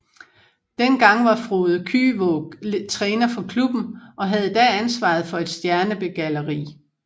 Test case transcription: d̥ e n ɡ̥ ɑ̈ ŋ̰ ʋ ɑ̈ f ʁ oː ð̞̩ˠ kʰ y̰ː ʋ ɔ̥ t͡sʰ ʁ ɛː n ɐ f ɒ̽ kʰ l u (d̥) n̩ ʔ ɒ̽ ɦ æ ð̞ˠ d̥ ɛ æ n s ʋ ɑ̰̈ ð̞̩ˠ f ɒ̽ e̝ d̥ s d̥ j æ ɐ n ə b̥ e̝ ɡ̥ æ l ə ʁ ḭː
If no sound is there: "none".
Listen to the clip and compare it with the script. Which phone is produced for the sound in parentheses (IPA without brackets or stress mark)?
b̥